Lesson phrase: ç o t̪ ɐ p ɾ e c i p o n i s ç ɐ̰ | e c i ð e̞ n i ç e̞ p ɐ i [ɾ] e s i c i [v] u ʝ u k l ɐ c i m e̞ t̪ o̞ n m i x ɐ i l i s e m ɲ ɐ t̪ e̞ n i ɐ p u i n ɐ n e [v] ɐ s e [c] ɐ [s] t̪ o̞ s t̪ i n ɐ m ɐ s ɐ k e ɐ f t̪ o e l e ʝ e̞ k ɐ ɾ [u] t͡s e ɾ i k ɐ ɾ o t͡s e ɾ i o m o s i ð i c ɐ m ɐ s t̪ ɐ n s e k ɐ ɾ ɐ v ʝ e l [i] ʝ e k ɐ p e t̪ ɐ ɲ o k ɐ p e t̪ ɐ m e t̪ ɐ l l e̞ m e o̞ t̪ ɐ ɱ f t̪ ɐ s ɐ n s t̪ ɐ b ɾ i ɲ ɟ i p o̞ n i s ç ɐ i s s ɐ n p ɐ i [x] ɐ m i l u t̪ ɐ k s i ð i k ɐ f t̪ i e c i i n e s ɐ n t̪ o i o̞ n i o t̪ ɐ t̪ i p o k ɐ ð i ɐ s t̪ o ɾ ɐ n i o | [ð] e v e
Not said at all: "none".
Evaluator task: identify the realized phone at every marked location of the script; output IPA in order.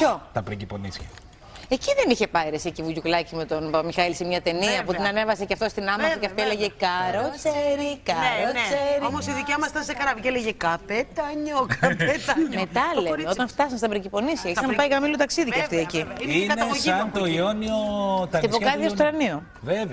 ɾ, v, v, c, f, o, e, ɣ, v

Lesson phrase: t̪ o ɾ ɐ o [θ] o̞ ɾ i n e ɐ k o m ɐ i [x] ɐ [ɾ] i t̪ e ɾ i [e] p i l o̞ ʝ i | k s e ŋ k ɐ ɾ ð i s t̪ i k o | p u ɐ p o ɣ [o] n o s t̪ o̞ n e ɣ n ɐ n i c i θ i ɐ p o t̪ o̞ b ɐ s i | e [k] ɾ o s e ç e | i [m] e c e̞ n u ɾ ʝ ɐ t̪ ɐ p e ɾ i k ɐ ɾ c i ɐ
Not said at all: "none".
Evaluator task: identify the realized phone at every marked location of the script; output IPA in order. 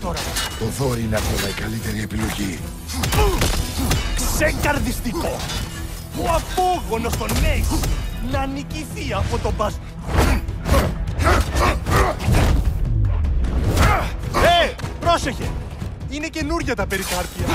ð, k, l, e, o, p, n

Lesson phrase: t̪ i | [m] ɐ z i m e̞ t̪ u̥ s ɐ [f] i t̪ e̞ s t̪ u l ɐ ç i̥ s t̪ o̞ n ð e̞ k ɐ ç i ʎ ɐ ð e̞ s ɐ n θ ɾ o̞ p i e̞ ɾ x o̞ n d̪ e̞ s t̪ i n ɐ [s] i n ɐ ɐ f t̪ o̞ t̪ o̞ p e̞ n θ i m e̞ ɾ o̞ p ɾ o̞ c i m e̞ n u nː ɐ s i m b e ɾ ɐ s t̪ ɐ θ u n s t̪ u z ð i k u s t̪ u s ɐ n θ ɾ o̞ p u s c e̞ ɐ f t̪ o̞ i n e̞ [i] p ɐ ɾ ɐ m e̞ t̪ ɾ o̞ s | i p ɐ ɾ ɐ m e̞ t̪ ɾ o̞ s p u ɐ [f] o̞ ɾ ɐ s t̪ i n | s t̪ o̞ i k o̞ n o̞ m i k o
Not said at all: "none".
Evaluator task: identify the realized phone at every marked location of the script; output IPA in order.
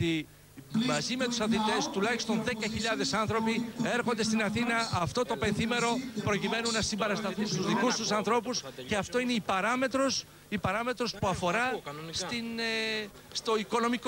m, θ, θ, i, f

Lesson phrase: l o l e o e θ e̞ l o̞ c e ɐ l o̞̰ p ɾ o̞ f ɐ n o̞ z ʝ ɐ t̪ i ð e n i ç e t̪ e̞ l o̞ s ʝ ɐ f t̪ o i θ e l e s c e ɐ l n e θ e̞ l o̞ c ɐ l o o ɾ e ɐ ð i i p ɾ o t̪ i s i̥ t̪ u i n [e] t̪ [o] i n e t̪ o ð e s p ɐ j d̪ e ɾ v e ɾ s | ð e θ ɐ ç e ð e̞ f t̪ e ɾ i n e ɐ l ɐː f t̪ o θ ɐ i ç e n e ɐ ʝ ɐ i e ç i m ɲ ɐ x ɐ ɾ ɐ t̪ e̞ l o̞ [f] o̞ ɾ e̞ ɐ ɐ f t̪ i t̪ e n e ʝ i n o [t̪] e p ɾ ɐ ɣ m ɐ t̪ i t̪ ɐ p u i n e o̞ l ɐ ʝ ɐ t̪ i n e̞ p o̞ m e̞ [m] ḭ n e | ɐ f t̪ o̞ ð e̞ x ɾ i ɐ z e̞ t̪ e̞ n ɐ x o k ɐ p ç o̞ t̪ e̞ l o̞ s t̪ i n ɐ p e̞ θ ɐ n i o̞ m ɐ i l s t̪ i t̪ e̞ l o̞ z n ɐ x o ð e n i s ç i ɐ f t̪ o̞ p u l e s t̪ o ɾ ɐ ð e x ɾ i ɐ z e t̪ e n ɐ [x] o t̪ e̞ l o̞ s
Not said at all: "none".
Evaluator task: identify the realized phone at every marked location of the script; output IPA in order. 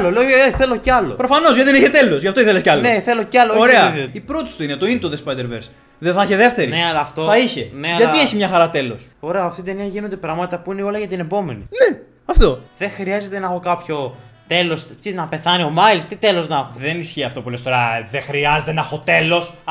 e, o, s, d̪, n, x

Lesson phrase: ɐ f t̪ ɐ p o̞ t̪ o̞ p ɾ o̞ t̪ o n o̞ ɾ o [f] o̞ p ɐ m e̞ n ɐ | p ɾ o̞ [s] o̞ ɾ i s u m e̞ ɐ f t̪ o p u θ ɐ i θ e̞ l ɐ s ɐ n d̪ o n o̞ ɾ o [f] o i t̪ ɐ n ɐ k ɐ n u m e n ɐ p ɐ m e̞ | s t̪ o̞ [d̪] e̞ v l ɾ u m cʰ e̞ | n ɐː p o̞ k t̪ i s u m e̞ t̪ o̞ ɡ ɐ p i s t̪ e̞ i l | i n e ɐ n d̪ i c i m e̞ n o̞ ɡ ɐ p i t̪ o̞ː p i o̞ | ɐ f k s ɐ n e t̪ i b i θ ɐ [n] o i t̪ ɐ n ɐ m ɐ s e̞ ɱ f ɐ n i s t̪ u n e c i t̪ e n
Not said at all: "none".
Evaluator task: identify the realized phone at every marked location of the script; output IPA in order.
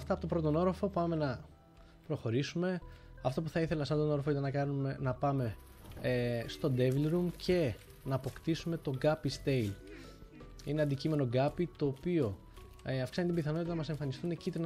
f, x, f, d̪, n

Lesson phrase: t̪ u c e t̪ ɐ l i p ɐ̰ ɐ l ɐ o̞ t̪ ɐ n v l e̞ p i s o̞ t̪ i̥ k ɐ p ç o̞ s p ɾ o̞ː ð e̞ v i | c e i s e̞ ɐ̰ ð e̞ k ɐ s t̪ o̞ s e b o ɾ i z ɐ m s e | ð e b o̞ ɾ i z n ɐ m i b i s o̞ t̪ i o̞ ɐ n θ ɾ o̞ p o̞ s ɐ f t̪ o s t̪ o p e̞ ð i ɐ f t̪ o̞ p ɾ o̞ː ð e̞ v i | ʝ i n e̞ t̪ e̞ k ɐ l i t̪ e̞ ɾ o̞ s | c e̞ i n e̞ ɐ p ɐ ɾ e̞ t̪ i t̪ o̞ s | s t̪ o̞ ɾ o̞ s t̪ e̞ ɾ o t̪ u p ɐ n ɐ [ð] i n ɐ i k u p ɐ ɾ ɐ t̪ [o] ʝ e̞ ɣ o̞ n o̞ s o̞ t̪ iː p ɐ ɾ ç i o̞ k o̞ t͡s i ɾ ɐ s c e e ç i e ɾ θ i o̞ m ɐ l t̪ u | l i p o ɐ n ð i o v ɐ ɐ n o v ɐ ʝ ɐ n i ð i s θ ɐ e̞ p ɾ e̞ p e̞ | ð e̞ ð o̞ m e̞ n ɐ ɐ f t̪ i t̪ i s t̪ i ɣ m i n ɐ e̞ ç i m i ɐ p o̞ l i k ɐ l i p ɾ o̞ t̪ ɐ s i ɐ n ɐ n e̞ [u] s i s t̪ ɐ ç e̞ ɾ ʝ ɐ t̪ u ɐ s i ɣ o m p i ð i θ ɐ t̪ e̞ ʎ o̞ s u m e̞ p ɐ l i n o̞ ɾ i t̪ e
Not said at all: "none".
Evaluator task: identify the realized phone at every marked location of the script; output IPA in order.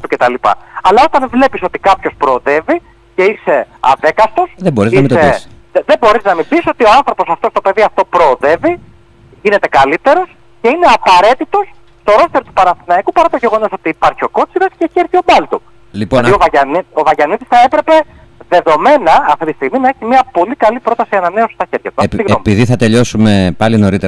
θ, o, o

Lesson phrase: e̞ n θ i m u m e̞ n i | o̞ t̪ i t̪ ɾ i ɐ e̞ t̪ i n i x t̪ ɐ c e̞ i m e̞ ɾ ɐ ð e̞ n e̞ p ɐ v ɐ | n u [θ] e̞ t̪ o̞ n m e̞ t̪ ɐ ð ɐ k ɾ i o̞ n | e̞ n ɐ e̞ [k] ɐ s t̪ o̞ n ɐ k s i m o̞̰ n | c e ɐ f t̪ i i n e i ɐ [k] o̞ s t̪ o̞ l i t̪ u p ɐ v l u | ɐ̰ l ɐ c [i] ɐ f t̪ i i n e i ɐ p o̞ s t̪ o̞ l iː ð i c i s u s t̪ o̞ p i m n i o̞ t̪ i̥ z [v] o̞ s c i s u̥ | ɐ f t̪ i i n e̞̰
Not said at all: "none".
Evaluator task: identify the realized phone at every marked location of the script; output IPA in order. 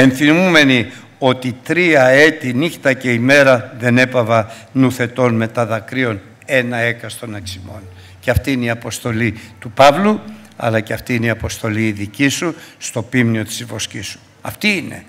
θ, k, p, e, v

